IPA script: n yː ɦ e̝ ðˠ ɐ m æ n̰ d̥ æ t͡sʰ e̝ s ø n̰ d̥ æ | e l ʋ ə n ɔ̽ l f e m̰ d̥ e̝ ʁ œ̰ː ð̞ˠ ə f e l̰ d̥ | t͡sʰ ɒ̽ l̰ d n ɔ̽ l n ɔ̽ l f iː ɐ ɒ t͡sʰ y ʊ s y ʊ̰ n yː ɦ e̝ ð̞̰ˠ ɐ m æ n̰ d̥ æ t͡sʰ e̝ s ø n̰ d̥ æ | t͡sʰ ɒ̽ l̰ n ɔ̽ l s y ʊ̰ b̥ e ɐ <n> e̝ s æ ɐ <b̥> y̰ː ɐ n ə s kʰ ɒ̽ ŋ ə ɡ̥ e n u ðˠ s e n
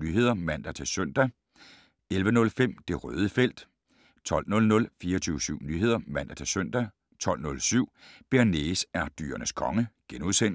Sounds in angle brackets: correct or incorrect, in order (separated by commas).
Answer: correct, incorrect